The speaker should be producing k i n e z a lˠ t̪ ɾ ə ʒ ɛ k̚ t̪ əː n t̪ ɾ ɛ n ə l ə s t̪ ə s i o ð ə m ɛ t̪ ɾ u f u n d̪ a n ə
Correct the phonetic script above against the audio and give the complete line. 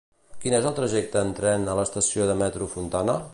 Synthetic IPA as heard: k i n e z ə lˠ t̪ ɾ ə ʒ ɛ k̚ t̪ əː n t̪ ɾ ɛ n ə l ə s t̪ ə s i o ð ə m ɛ t̪ ɾ u f u n t̪ a n ə